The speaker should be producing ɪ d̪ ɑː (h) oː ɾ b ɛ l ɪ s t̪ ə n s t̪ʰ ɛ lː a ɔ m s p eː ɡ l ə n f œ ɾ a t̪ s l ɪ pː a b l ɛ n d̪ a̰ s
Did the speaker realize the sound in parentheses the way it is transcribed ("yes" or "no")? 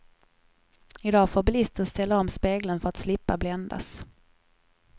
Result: no